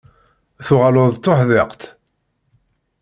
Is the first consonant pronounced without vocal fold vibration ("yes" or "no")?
yes